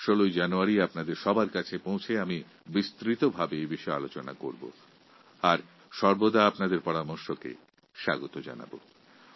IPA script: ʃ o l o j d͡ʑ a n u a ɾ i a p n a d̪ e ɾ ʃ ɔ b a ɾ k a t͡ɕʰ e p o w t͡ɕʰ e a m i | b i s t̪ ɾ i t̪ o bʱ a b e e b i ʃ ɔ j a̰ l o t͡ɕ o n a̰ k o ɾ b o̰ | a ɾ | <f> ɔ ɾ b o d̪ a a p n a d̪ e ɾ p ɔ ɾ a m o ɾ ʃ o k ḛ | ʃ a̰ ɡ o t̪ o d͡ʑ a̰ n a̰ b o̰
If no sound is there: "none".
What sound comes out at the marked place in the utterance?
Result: ʃ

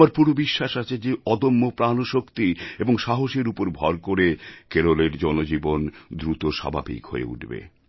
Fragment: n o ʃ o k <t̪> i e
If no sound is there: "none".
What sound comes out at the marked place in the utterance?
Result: t̪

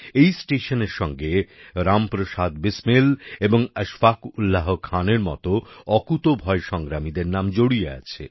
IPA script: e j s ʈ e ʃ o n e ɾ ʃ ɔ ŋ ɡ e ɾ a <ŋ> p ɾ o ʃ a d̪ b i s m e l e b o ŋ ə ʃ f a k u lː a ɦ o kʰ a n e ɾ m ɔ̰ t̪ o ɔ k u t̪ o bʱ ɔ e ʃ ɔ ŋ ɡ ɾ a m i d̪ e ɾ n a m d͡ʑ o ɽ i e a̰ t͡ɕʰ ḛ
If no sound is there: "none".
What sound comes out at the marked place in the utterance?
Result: m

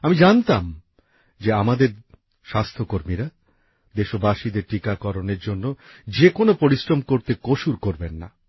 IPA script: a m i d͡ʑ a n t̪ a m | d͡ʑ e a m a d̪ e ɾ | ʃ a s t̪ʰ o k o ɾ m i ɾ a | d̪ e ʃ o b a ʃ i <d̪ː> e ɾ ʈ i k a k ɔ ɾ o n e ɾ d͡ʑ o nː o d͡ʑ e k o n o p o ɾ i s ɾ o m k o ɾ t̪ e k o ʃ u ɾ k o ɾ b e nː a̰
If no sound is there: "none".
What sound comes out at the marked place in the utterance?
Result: d̪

